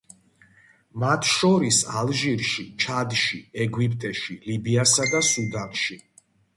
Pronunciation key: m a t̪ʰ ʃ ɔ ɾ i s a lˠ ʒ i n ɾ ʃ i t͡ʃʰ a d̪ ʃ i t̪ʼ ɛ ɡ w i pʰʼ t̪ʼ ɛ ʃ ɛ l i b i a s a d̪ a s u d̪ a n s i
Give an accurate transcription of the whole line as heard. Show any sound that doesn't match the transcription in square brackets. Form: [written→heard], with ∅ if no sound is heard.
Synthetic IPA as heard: m a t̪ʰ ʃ ɔ ɾ i s a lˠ ʒ i [n→∅] ɾ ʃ i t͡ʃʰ a d̪ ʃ i [t̪ʼ→∅] ɛ ɡ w i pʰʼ t̪ʼ ɛ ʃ [ɛ→i] l i b i a s a d̪ a s u d̪ a n [s→ʃ] i